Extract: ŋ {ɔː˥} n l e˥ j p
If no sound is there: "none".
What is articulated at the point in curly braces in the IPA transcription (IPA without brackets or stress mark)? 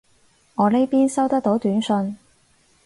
ɔː˨˧